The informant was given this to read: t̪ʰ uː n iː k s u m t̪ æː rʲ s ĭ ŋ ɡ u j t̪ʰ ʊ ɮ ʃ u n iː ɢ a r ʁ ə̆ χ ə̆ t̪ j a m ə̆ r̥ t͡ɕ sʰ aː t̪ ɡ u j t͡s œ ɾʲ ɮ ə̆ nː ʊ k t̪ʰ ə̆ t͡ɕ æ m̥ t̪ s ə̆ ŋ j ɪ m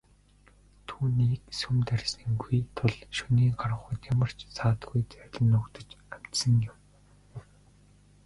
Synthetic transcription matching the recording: t̪ʰ uː n iː k s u m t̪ æ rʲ s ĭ ŋ ɡ u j t̪ʰ ʊ ɮ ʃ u n iː ɢ a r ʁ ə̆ χ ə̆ t̪ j a m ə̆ r̥ t͡ɕ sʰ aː t̪ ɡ u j t͡s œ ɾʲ ɮ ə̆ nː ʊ k t̪ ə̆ t͡ɕ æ m̥ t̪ s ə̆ ŋ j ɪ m